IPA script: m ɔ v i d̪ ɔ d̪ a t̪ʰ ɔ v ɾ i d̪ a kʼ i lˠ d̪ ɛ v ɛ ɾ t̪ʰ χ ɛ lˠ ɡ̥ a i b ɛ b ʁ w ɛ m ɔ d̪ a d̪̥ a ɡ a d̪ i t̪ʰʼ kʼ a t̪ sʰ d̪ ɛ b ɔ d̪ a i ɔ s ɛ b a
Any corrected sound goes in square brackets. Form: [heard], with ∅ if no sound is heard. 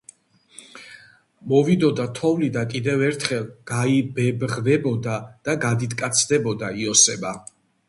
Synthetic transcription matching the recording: m ɔ v i d̪ ɔ d̪ a t̪ʰ ɔ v [l] i d̪ a kʼ i [∅] d̪ ɛ v ɛ ɾ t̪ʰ χ ɛ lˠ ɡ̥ a i b ɛ b ʁ [v] ɛ [b] ɔ d̪ a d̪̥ a ɡ a d̪ i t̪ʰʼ kʼ a t̪ sʰ d̪ ɛ b ɔ d̪ a i ɔ s ɛ b a